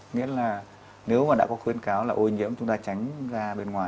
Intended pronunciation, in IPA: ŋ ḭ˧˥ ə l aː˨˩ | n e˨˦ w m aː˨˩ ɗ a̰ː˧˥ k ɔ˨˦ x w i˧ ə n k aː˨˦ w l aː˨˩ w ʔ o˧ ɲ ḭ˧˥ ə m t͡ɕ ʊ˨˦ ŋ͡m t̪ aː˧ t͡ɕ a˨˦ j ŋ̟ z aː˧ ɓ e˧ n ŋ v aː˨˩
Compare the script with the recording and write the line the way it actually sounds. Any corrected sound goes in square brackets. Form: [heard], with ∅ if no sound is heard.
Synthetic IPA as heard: ŋ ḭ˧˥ ə l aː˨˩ | n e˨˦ w m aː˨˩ ɗ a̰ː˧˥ k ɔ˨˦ x w i˧ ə n k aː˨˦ w l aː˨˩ [∅] ʔ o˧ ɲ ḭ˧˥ ə m t͡ɕ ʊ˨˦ ŋ͡m t̪ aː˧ t͡ɕ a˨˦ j ŋ̟ z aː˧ ɓ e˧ n ŋ [w] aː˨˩